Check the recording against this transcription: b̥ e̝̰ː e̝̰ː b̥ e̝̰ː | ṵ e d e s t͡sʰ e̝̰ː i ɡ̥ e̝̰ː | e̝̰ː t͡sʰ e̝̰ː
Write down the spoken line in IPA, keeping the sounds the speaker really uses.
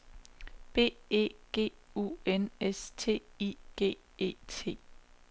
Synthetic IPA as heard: b̥ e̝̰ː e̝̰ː ɡ̥ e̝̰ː | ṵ e n e s t͡sʰ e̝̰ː i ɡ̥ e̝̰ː | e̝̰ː t͡sʰ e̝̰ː